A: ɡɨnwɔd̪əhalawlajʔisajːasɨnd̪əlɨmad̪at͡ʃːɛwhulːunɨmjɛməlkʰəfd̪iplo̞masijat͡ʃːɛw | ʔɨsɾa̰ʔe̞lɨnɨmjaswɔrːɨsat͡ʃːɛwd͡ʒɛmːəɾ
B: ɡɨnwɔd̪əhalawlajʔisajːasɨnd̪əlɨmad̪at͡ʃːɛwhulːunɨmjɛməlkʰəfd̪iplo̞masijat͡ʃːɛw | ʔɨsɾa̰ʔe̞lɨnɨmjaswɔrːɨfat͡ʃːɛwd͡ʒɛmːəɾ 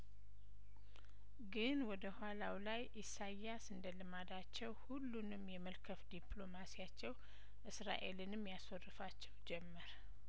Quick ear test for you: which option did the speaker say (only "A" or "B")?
B